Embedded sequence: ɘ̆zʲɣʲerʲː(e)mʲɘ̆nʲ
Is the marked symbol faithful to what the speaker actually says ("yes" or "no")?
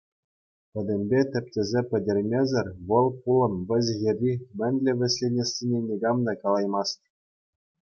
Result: no